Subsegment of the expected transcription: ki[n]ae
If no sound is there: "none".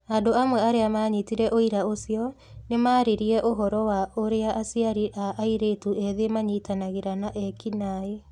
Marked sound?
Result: n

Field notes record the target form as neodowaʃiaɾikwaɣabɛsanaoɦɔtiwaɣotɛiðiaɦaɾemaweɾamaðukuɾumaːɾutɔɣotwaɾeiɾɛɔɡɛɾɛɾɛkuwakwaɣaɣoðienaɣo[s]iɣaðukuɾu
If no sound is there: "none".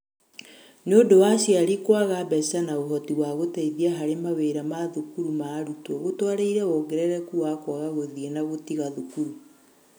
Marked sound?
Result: t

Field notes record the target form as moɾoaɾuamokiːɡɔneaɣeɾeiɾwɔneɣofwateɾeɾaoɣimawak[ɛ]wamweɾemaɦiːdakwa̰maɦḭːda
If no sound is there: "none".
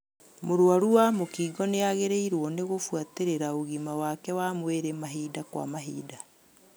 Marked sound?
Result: ɛ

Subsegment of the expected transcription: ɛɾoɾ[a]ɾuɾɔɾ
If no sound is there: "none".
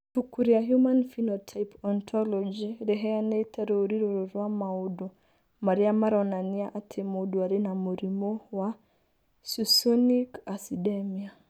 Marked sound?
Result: i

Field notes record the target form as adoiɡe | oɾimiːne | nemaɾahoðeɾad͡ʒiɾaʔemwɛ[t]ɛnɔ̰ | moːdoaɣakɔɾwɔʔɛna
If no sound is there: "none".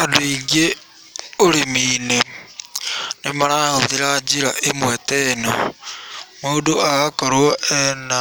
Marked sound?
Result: t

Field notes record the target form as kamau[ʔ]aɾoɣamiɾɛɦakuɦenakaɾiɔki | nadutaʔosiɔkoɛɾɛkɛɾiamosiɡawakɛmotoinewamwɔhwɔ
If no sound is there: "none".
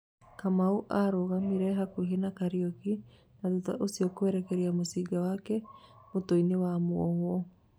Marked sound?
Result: ʔ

